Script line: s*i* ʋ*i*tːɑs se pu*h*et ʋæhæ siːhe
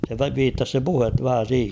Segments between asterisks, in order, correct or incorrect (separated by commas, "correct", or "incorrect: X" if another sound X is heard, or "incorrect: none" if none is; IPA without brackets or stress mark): incorrect: e, incorrect: iː, correct